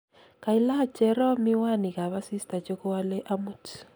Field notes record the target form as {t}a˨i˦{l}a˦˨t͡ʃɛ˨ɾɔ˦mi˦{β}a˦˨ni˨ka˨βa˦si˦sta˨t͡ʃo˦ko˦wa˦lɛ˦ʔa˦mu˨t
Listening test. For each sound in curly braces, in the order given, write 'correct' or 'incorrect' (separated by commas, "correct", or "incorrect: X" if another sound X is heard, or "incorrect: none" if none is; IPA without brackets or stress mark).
incorrect: k, correct, incorrect: w